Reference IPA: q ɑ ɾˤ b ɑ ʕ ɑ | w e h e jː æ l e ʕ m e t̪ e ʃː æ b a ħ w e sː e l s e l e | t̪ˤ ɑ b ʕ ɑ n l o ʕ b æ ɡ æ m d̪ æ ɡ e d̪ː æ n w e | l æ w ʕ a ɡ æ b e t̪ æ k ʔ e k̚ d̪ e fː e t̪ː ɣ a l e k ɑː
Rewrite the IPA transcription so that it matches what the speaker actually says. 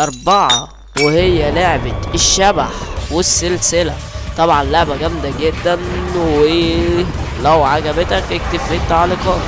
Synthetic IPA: ʔ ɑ ɾˤ b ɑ ʕ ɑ | w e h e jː æ l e ʕ b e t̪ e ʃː æ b a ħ w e sː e l s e l æ | t̪ˤ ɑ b ʕ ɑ n l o ʕ b æ ɡ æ m d̪ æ ɡ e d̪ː æ n w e | l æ w ʕ a ɡ æ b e t̪ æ k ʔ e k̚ t̪ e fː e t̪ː ʕ a l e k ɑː

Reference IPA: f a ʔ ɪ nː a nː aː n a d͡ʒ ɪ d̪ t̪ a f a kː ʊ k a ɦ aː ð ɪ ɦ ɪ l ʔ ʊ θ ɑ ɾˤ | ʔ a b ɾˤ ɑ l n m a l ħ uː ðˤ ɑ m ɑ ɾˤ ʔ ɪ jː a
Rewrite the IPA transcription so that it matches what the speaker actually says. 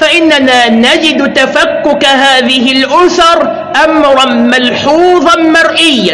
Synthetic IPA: f a ʔ ɪ nː a n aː n a d͡ʒ ɪ d̪ t̪ a f a kː ʊ k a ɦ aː ð ɪ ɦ ɪ l ʔ ʊ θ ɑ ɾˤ | ʔ a m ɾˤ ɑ n m a l ħ uː ðˤ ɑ m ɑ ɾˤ ʔ ɪ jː a

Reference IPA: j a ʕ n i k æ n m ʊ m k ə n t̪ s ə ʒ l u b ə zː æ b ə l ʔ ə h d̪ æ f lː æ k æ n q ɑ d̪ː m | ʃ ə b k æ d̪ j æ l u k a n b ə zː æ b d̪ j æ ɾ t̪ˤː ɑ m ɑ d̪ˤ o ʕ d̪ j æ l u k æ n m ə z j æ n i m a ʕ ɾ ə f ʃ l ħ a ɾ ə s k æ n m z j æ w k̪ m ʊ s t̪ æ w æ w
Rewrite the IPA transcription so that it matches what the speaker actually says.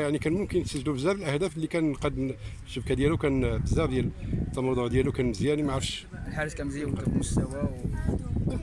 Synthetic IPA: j a ʕ n i k æ n m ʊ m k ə n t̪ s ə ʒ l u b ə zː æ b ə l ʔ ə h d̪ æ f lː i k æ n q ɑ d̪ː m | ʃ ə b k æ d̪ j æ l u k æ n b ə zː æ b d̪ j æ l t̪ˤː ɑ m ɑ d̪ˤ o ʕ d̪ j æ l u k æ n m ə z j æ n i m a ʕ ɾ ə f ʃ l ħ a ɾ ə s k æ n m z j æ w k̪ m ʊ s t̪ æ w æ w

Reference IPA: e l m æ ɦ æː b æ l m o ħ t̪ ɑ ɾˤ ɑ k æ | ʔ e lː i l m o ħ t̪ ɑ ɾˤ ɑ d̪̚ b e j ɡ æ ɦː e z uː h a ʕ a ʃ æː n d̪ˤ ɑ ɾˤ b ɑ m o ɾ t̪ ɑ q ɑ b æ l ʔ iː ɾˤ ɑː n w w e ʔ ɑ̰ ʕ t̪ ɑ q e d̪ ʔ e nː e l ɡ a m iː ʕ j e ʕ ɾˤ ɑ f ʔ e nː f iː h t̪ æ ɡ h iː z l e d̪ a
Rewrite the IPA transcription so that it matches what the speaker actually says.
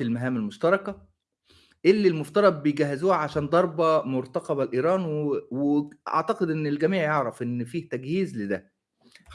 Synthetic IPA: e l m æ ɦ æː m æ l m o ʃ t̪ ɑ ɾˤ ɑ k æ | ʔ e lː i l m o f t̪ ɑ ɾˤ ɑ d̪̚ b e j ɡ æ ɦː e z uː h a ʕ a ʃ æː n d̪ˤ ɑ ɾˤ b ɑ m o ɾ t̪ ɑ q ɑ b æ l ʔ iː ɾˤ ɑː n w w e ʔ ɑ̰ ʕ t̪ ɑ q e d̪ ʔ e nː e l ɡ æ m iː ʕ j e ʕ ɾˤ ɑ f ʔ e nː f iː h t̪ æ ɡ h iː z l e d̪ æ

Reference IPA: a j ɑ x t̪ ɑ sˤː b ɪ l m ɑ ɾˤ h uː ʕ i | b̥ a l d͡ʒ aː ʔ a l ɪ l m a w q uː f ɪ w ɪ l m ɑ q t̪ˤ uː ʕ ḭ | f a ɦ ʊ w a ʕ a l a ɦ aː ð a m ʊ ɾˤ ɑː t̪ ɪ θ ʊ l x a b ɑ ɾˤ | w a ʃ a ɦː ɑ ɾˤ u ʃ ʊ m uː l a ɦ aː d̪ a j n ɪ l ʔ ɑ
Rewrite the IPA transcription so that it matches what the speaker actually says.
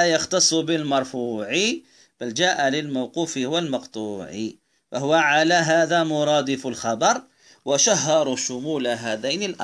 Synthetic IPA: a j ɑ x t̪ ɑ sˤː b ɪ l m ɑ ɾˤ f uː ʕ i | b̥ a l d͡ʒ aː ʔ a l ɪ l m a w q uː f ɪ w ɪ l m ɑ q t̪ˤ uː ʕ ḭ | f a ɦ ʊ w a ʕ a l a ɦ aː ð a m ʊ ɾˤ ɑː d̪ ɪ f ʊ l x ɑ b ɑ ɾˤ | w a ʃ a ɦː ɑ ɾˤ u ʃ ʊ m uː l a ɦ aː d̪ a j n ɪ l ʔ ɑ

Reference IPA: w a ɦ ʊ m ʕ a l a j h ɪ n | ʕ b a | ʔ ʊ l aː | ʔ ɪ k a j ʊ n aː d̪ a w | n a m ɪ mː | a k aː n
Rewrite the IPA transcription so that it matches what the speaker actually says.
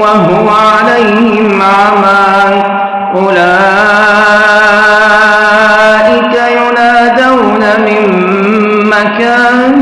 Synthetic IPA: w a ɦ ʊ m ʕ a l a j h ɪ m | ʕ m a | ʔ ʊ l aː | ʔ ɪ k a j ʊ n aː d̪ a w | n a m ɪ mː | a k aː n

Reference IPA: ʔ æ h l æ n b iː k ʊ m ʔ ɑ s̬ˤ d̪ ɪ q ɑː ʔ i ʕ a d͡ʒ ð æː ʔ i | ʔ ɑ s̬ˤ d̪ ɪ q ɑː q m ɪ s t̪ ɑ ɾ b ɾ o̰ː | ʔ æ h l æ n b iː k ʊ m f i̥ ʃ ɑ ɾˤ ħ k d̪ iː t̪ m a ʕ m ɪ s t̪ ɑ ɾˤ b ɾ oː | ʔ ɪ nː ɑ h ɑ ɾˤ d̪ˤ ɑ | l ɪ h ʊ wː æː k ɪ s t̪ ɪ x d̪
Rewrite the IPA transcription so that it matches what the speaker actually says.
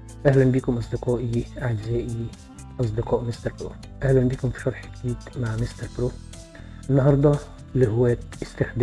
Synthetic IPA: ʔ æ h l æ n b iː k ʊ m ʔ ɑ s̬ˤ d̪ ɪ q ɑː ʔ i ʕ a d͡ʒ z æː ʔ i | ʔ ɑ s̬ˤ d̪ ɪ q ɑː ʔ m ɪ s t̪ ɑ ɾ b ɾ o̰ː | ʔ æ h l æ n b iː k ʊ m f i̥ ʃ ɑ ɾˤ ħ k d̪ iː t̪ m a ʕ m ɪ s t̪ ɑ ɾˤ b ɾ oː | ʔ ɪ nː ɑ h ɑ ɾˤ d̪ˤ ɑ | l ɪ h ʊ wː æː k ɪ s t̪ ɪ x d̪

